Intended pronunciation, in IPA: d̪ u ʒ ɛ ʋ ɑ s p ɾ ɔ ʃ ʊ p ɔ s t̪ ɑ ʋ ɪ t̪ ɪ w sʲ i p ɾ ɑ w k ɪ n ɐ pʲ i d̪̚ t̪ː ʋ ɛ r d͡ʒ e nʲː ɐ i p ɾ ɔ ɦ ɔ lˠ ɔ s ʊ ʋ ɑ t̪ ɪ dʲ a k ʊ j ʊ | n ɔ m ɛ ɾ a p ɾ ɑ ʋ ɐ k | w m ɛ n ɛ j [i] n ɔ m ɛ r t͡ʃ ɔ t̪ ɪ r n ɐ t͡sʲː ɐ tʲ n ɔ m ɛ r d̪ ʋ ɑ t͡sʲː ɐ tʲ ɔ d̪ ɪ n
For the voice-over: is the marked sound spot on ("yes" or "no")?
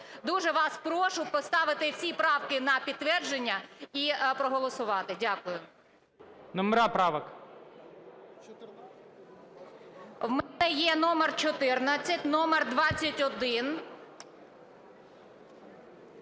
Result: no